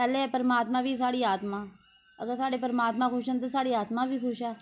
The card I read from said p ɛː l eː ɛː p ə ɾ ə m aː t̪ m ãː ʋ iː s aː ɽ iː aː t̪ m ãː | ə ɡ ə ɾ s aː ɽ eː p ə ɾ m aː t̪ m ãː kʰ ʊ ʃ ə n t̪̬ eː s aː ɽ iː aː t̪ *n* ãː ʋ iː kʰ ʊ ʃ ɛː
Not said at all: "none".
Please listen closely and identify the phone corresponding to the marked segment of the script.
m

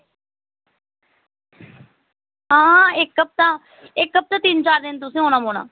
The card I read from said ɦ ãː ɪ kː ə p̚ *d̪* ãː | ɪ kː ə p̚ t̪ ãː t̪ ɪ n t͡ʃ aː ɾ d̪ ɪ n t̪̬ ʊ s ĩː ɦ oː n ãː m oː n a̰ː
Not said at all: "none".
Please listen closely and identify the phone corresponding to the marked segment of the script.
t̪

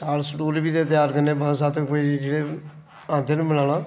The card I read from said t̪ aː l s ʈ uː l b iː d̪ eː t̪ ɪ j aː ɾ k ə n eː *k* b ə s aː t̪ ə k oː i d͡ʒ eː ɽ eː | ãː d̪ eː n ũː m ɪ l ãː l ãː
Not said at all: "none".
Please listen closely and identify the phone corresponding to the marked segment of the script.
none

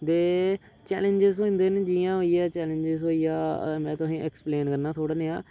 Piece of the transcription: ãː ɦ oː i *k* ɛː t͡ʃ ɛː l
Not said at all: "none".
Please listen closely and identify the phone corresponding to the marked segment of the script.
none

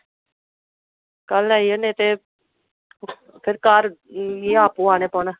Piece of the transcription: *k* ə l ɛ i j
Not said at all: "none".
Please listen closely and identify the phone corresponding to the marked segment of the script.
k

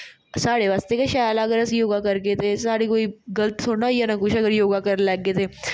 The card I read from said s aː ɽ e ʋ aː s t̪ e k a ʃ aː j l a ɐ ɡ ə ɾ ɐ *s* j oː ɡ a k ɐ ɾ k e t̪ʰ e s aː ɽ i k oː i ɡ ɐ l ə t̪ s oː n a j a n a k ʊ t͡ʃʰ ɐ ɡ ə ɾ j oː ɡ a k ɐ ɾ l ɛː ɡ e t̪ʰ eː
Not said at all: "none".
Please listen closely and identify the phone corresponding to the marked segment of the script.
s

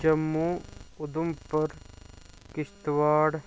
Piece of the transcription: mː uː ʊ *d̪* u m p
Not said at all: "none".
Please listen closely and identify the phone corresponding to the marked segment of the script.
d̪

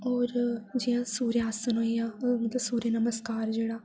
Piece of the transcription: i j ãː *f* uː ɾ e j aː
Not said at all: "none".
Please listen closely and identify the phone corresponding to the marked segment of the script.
s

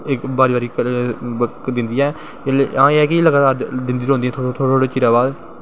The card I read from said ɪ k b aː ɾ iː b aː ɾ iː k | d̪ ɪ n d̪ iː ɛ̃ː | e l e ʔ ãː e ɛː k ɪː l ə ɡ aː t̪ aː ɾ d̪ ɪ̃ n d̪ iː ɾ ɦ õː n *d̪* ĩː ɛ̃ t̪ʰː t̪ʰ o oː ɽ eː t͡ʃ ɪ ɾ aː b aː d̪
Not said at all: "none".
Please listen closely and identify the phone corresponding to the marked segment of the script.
d̪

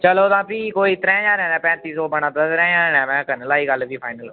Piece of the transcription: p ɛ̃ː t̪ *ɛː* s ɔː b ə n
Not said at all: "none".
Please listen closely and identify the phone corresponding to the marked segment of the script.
iː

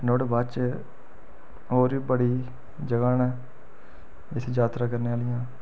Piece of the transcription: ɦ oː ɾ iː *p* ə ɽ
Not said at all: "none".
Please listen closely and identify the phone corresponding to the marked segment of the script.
b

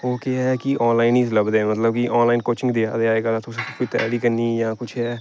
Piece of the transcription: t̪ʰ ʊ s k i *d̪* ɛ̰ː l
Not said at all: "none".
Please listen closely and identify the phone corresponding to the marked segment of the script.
t̪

